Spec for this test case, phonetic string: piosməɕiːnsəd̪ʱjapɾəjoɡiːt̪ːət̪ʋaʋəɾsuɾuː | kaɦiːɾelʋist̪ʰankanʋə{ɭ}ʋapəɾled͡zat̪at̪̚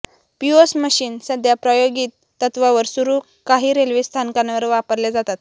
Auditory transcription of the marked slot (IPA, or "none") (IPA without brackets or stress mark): ɾ